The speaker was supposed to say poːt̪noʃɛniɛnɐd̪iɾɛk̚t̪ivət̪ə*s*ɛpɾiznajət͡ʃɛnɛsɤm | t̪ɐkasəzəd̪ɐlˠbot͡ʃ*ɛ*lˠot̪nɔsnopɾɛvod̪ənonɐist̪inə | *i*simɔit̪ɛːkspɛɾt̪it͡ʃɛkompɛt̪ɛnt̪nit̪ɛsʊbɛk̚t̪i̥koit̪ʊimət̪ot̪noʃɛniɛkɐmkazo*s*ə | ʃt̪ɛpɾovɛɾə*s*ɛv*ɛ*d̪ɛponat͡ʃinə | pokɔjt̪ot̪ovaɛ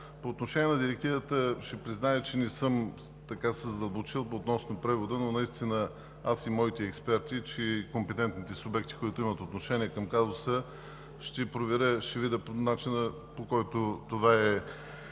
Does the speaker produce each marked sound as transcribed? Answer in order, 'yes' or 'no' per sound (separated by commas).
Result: no, no, no, yes, no, no